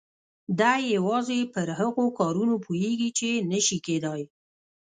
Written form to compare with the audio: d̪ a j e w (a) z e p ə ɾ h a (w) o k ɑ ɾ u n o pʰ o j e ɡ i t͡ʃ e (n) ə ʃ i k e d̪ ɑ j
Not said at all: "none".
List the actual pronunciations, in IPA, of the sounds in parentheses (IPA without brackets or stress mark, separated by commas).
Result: ɑ, ɣ, n